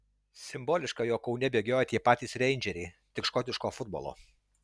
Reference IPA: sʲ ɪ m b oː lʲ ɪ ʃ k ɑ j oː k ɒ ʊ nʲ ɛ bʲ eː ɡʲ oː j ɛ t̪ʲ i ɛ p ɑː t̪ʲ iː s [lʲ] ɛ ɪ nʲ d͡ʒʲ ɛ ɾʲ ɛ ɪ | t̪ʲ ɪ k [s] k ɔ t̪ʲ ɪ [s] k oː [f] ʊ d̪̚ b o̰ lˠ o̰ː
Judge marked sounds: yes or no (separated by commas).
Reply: no, no, no, yes